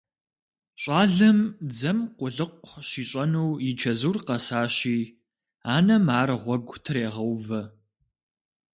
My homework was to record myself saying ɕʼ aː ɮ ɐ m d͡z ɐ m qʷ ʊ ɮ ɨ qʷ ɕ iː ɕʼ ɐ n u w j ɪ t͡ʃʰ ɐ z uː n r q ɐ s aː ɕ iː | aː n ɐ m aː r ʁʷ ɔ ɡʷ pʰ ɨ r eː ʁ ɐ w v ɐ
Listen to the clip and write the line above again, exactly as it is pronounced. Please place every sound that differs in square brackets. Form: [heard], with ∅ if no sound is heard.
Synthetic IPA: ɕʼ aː ɮ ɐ m d͡z ɐ m qʷ ʊ ɮ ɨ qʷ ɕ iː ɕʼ ɐ n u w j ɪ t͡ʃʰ ɐ z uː [∅] r q ɐ s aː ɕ iː | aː n ɐ m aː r ʁʷ ɔ ɡʷ [tʰ] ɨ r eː ʁ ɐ w v ɐ